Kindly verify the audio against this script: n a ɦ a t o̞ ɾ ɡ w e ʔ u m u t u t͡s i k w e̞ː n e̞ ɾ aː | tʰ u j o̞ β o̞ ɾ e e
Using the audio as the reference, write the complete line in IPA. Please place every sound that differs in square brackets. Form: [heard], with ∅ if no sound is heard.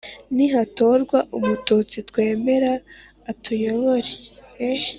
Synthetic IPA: n [i] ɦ a t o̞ ɾ ɡ w [a] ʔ u m u t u t͡s i [t] w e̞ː [m] e̞ ɾ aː | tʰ u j o̞ β o̞ ɾ e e